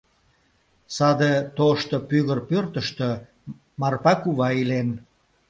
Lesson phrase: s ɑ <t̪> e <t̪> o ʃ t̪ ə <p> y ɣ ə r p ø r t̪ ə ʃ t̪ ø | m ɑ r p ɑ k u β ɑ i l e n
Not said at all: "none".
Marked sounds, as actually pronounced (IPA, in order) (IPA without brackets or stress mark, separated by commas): d̪, t̪, p